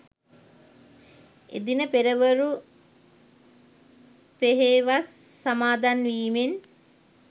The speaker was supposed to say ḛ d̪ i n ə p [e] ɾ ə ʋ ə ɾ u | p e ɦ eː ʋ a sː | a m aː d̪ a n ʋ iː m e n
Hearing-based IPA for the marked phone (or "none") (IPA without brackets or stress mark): e